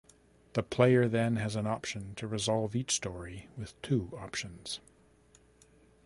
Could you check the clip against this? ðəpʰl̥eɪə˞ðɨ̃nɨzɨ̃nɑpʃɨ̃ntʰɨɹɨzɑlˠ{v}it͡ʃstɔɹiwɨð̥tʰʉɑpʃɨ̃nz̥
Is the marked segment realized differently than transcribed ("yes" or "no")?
no